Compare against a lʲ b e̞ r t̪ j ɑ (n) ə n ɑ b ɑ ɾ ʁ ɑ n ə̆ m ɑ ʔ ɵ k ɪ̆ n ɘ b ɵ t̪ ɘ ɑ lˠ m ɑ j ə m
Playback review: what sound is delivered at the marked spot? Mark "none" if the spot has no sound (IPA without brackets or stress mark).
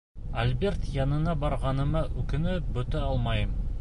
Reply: n